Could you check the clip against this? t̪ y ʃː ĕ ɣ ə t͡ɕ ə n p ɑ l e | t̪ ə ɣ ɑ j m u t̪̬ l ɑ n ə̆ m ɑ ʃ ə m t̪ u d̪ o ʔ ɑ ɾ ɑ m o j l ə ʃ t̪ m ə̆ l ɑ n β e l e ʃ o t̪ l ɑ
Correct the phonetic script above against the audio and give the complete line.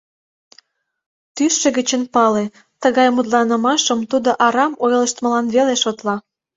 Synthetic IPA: t̪ y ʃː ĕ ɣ ə t͡ɕ ə n p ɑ l e | t̪ ə ɣ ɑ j m u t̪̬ l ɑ n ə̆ m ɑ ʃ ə m t̪ u d̪ o ʔ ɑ ɾ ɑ m o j l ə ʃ t̪ m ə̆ l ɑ n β e l e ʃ o t̪ l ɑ